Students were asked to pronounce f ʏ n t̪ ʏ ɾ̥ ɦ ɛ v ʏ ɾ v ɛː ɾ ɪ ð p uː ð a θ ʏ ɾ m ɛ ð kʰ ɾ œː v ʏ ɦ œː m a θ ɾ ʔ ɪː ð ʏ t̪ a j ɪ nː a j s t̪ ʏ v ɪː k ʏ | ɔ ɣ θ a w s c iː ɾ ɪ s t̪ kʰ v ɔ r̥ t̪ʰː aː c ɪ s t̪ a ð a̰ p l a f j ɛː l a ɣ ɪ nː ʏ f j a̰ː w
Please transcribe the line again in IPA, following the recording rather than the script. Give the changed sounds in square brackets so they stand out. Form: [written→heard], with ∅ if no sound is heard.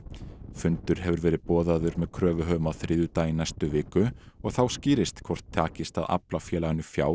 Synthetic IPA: f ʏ n t̪ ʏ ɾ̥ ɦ ɛ v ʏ ɾ v ɛː ɾ ɪ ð p [uː→ɔː] ð a [θ→ð] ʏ ɾ m ɛ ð kʰ ɾ œː v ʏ ɦ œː m a θ ɾ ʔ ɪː ð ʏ t̪ a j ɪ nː a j s t̪ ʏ v ɪː k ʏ | ɔ ɣ θ a w s c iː ɾ ɪ s t̪ kʰ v ɔ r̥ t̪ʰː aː c ɪ s t̪ a ð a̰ p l a f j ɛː l a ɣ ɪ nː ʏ f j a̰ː w

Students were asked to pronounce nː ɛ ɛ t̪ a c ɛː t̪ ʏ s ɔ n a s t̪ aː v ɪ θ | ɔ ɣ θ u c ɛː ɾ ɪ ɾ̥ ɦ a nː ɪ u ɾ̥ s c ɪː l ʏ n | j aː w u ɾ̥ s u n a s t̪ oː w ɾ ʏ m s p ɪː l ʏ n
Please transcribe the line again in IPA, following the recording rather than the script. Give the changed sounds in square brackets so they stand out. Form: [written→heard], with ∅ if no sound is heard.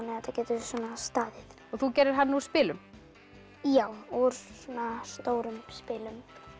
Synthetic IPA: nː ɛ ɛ t̪ a c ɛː t̪ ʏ s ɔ n a s t̪ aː [v→ð] ɪ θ | ɔ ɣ θ u c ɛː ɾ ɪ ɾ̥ ɦ a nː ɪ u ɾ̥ s [c→p] ɪː l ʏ [n→m] | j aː w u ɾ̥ s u n a s t̪ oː w ɾ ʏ m s p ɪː l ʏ [n→m]

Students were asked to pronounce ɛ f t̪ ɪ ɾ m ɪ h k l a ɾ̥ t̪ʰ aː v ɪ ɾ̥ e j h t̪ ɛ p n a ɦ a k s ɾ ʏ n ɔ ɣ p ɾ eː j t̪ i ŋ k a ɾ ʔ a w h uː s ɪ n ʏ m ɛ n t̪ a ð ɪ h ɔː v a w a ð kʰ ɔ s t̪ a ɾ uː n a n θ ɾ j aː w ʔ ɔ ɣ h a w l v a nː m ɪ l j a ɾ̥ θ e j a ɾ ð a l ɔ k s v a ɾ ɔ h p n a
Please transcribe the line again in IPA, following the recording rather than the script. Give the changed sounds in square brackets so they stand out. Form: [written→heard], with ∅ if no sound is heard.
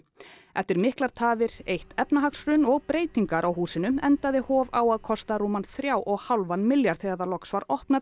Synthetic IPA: ɛ f t̪ ɪ ɾ m ɪ h k l a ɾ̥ t̪ʰ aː v ɪ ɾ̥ e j h t̪ ɛ p n a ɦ a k s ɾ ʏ n ɔ ɣ p ɾ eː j t̪ i ŋ k a ɾ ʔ a w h uː s ɪ n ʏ m ɛ n t̪ a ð ɪ h ɔː v a w a ð kʰ ɔ s t̪ a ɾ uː [n→m] a n θ ɾ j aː w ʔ ɔ ɣ h a w l v a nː m ɪ l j a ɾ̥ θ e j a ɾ ð a l ɔ k s v a ɾ ɔ h p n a

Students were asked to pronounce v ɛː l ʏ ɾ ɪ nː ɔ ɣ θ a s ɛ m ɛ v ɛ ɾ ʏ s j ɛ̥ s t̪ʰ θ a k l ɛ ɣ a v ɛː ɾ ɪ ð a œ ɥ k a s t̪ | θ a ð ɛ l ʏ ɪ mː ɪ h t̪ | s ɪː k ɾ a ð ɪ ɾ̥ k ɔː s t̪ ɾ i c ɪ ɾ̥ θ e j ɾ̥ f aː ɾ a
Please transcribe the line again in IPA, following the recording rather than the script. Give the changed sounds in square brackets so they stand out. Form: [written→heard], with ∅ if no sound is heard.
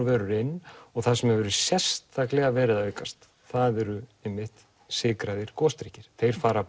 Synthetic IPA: v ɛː [l→ɾ] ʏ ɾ ɪ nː ɔ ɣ θ a s ɛ m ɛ v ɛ ɾ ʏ s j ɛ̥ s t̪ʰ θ a k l ɛ ɣ a v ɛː ɾ ɪ ð a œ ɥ k a s t̪ | θ a ð ɛ [l→ɾ] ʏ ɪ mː ɪ h t̪ | s ɪː k ɾ a ð ɪ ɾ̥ k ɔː s t̪ ɾ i c ɪ ɾ̥ θ e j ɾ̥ f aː ɾ a

